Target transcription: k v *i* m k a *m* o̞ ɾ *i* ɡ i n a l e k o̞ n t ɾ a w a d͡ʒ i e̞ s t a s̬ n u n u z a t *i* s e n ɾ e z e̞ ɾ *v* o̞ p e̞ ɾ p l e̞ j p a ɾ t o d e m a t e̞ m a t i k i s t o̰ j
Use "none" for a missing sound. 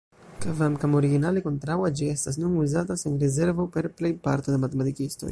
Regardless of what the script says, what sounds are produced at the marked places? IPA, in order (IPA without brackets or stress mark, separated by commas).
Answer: a, m, i, a, v